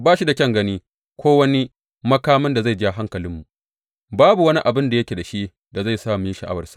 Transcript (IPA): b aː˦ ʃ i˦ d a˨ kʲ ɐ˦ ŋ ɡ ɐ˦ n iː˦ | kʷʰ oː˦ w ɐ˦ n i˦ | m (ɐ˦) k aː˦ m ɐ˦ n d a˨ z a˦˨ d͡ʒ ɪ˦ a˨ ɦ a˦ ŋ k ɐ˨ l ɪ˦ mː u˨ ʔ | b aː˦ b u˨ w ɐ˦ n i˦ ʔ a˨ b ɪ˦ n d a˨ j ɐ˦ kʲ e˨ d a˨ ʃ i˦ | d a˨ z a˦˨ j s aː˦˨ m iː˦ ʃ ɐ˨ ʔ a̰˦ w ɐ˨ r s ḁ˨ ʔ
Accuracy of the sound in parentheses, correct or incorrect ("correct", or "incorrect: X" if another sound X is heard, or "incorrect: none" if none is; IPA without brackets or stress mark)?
correct